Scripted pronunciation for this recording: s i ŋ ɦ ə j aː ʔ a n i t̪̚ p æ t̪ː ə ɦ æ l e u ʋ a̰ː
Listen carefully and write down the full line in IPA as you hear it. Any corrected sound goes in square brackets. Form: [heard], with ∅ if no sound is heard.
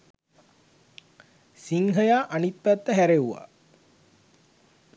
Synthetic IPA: s i ŋ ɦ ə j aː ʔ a n i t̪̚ p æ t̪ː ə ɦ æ [ɾ] e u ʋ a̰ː